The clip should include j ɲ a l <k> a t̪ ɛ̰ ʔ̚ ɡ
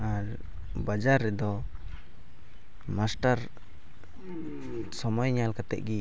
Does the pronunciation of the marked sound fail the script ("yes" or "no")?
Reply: no